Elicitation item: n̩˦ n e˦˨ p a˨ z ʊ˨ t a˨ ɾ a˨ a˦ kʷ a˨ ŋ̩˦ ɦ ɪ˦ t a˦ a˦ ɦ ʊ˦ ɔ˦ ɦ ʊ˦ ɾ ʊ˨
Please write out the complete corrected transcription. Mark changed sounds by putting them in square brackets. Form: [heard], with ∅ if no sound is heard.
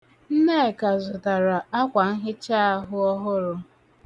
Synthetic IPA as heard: n̩˦ n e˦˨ [k] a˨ z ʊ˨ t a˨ ɾ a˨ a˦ kʷ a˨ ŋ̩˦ ɦ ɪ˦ [t͡ʃ] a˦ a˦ ɦ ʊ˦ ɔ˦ ɦ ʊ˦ ɾ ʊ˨

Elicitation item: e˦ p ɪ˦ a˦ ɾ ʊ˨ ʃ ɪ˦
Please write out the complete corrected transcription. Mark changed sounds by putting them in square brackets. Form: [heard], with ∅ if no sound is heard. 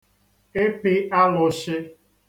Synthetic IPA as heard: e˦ p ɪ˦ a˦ [l] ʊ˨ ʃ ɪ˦

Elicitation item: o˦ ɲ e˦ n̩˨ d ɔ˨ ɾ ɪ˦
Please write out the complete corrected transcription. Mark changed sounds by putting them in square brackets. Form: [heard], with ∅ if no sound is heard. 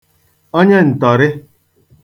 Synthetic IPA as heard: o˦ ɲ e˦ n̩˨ [t] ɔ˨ ɾ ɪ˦

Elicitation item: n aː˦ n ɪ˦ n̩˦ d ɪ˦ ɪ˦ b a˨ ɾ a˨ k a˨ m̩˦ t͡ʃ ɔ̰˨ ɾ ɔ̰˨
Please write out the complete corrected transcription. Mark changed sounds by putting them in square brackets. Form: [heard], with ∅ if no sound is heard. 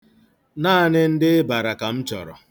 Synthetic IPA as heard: n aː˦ n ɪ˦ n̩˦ d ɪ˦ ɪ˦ b a˨ ɾ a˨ k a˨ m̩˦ t͡ʃ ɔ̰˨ ɾ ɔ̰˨

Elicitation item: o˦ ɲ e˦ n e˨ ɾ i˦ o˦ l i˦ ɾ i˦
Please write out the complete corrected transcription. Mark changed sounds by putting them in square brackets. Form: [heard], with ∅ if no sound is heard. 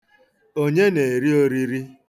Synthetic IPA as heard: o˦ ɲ e˦ n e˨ ɾ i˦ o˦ [ɾ] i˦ ɾ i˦

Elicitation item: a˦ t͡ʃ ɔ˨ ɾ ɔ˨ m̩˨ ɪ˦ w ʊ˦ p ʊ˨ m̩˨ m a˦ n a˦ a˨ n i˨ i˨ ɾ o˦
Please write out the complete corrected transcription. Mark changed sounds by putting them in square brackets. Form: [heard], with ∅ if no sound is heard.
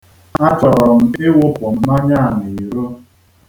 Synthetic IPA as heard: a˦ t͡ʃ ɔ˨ ɾ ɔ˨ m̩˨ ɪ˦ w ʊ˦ p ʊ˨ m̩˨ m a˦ [ɲ] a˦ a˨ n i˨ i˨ ɾ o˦

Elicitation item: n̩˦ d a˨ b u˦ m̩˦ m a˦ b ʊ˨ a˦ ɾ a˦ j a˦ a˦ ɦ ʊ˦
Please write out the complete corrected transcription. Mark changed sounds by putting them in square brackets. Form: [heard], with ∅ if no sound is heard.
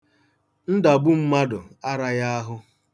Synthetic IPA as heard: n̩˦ d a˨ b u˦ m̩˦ m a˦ [d] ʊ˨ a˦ ɾ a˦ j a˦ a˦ ɦ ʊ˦

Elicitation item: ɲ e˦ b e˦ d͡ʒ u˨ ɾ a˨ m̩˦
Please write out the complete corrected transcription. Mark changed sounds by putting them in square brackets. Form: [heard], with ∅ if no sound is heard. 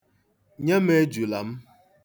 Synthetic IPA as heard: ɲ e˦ [m] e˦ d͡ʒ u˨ [l] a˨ m̩˦

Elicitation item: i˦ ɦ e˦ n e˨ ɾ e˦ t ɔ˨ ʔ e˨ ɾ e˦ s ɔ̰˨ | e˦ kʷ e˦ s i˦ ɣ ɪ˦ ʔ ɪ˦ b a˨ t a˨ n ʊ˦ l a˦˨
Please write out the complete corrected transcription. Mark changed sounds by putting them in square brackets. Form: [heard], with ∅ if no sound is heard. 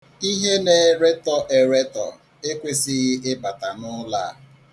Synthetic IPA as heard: i˦ ɦ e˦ n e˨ ɾ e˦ t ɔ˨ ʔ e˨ ɾ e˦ [t] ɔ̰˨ | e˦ kʷ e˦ s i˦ ɣ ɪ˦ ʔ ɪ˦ b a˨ t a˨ n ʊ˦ l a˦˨

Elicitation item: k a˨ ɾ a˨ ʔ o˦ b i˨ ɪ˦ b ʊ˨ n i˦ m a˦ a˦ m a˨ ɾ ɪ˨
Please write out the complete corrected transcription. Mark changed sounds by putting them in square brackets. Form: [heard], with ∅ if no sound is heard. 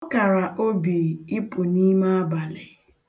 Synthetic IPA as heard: k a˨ ɾ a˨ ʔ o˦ b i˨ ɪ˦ [p] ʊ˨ n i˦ m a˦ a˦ [b] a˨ [l] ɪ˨

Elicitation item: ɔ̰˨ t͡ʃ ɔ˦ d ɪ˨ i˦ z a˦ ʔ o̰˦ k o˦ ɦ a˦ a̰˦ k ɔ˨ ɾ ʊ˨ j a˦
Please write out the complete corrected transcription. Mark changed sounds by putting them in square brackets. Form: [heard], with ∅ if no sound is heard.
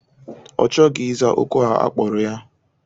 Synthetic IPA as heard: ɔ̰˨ t͡ʃ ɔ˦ [ɡ] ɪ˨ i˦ z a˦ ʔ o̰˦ k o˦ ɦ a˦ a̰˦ [k͡p] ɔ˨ ɾ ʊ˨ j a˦

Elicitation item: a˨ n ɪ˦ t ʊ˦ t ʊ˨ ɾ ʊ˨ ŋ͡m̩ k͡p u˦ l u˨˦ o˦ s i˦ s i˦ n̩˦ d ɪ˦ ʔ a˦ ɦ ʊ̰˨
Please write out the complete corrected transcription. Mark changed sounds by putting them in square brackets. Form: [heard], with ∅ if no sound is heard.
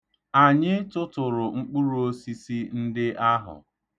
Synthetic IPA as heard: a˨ [ɲ] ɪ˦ t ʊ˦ t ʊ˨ ɾ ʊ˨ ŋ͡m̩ k͡p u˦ [ɾ] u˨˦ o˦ s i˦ s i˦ n̩˦ d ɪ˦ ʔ a˦ ɦ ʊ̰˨

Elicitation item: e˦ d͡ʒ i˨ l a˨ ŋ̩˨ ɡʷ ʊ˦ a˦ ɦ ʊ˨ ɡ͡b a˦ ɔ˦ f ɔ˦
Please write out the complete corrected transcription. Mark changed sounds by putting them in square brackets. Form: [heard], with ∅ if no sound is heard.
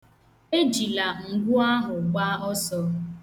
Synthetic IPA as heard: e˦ d͡ʒ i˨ l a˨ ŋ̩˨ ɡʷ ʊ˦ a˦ ɦ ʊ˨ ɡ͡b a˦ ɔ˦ [s] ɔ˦

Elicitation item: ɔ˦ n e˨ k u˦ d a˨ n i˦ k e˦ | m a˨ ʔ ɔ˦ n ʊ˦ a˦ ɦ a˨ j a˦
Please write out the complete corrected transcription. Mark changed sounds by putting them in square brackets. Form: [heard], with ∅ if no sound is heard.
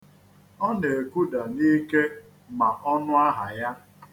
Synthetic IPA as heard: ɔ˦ n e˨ k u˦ d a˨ n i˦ k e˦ | m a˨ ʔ ɔ˦ n ʊ˦ a˦ ɦ a˨ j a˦

